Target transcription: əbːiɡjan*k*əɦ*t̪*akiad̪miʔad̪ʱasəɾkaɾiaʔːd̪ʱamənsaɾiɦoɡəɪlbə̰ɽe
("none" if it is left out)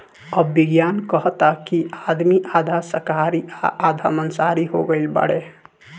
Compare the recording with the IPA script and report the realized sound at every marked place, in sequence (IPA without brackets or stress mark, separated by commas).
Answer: k, t̪